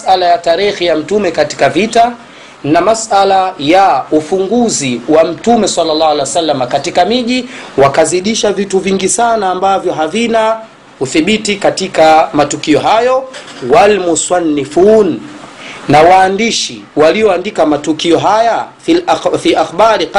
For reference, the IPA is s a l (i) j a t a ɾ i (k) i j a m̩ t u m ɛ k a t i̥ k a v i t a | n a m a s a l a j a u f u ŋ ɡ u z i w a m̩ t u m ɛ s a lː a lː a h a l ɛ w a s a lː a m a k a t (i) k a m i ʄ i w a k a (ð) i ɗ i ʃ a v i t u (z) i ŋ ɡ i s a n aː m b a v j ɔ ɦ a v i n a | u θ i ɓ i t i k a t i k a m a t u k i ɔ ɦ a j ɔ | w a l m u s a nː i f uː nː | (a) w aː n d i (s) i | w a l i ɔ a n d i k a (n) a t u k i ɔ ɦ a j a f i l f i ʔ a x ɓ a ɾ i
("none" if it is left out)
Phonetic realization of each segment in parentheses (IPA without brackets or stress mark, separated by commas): a, x, i, z, v, a, ʃ, m